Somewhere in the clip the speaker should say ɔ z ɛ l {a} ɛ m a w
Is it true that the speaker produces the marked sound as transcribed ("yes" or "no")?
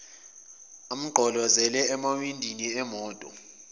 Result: no